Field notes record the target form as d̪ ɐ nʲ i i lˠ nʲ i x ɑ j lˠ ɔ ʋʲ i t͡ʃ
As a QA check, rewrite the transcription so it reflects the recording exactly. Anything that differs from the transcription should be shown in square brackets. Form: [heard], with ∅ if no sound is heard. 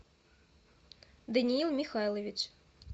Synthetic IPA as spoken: d̪ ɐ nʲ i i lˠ [mʲ] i x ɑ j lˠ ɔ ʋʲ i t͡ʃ